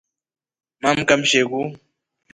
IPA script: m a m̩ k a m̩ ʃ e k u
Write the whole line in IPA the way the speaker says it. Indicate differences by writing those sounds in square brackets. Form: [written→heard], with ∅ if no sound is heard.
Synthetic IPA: m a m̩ k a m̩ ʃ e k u